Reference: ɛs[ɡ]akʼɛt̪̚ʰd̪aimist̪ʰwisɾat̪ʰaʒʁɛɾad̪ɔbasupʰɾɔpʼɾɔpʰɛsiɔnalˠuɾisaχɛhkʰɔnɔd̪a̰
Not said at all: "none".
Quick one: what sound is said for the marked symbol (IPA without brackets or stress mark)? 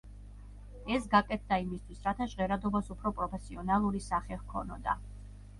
ɡ